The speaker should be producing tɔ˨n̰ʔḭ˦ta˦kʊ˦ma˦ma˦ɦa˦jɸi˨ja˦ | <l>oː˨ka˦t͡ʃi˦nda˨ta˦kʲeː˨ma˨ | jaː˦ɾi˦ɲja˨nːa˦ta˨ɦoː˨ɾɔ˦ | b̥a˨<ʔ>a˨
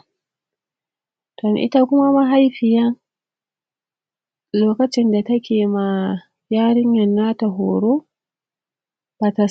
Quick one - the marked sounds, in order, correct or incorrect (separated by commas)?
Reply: correct, incorrect